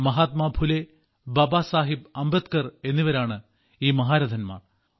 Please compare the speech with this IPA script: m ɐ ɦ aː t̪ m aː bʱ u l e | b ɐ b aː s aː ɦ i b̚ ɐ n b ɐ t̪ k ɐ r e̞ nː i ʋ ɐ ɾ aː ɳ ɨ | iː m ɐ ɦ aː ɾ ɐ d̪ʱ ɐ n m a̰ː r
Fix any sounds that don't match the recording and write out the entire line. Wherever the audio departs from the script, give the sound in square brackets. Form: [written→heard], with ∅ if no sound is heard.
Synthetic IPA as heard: m ɐ ɦ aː t̪ m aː bʱ u l e | b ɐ b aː s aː ɦ i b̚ ɐ [n→m] b ɐ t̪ k ɐ r e̞ nː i ʋ ɐ ɾ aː ɳ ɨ | iː m ɐ ɦ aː ɾ ɐ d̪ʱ ɐ n m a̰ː r